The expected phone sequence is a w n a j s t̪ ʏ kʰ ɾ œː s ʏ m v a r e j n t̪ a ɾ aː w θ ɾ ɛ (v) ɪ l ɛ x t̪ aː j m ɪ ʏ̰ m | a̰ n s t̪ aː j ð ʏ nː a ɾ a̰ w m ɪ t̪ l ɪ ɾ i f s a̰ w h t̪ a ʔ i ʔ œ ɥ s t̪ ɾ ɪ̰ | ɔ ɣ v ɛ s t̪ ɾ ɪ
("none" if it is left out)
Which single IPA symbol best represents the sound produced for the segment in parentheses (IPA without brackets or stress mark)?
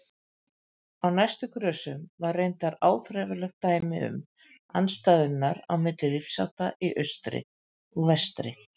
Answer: v